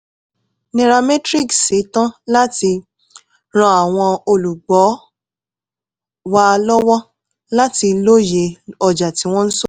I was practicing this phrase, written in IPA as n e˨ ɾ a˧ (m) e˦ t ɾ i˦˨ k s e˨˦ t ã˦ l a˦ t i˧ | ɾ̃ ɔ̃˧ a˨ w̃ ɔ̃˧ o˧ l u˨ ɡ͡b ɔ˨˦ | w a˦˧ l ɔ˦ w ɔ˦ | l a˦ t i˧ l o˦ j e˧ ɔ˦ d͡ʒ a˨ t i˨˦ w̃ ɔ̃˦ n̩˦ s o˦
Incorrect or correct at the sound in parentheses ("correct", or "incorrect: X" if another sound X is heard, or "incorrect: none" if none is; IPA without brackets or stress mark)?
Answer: correct